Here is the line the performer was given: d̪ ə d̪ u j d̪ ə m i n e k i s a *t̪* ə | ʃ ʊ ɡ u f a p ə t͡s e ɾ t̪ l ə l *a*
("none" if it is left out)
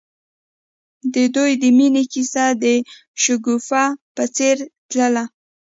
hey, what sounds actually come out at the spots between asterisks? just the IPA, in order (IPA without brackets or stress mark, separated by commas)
d̪, a